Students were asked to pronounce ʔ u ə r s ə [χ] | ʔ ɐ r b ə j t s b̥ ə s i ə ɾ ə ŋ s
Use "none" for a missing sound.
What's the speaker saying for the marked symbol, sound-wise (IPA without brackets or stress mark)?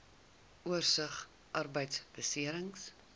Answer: χ